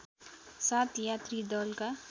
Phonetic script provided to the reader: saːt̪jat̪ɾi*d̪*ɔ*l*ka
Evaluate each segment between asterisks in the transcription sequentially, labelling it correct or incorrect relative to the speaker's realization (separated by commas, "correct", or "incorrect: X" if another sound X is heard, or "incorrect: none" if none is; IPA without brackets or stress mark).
correct, correct